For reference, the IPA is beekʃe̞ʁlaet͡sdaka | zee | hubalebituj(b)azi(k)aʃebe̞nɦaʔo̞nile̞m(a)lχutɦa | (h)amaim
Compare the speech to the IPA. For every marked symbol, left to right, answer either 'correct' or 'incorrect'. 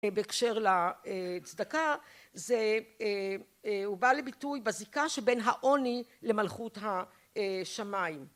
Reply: correct, correct, correct, incorrect

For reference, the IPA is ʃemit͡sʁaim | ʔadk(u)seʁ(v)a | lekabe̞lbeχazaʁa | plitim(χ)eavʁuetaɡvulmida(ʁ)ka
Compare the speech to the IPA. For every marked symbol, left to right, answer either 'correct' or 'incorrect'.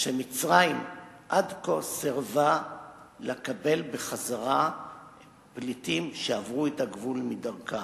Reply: incorrect, correct, incorrect, correct

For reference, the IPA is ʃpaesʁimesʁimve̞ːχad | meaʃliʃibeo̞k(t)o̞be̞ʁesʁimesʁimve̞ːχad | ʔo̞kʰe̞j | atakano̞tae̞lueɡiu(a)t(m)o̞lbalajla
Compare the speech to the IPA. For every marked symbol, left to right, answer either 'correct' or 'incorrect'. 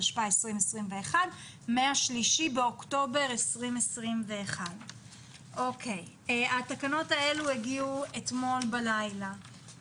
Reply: correct, incorrect, correct

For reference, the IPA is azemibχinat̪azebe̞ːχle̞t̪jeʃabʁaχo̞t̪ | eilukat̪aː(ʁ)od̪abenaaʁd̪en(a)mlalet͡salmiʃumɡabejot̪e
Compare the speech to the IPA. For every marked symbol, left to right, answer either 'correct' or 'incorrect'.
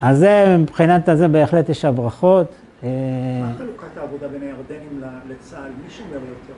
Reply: incorrect, incorrect

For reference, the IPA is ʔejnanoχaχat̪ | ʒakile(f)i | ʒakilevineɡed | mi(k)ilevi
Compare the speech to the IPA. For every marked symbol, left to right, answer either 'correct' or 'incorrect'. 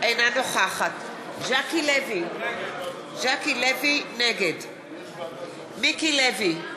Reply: incorrect, correct

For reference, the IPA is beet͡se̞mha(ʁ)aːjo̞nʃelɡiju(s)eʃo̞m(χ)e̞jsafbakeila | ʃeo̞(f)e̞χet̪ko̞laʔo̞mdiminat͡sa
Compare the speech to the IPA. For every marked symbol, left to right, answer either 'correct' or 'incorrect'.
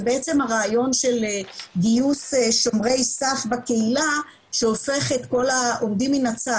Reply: correct, correct, incorrect, correct

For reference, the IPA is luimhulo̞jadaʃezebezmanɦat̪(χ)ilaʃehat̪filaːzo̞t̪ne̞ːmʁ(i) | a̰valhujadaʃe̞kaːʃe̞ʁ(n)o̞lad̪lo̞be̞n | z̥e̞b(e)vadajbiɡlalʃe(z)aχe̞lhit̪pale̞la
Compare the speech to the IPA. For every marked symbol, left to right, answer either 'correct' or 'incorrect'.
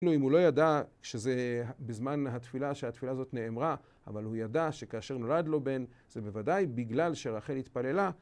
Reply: incorrect, incorrect, correct, correct, incorrect

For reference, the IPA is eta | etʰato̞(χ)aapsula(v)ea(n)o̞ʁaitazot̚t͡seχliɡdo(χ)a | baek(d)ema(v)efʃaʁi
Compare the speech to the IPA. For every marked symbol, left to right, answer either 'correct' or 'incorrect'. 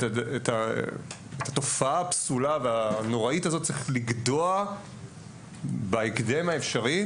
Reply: incorrect, correct, correct, incorrect, correct, incorrect

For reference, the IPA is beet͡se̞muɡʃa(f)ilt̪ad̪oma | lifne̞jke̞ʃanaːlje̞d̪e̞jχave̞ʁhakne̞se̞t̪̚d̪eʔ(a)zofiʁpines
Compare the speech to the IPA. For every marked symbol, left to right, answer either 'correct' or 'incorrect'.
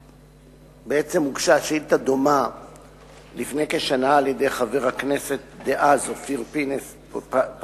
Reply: incorrect, correct

